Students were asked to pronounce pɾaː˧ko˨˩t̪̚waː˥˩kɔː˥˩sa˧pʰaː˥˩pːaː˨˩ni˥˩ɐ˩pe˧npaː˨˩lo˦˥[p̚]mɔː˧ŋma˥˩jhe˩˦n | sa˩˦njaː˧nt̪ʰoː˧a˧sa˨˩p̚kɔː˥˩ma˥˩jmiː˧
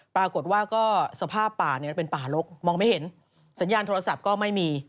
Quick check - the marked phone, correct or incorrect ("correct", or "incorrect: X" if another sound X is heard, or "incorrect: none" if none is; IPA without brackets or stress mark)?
incorrect: k̚